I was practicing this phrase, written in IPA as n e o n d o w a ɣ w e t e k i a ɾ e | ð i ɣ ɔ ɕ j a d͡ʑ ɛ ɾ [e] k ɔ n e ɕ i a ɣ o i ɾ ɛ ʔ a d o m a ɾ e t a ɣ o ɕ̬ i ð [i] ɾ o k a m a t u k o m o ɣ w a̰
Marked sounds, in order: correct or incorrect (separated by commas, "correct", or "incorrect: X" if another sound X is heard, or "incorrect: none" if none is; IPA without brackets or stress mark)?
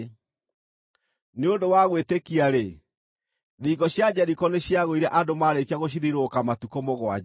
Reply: incorrect: i, correct